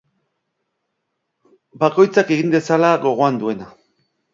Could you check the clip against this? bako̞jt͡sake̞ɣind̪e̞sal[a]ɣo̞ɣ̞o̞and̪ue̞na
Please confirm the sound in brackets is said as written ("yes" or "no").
yes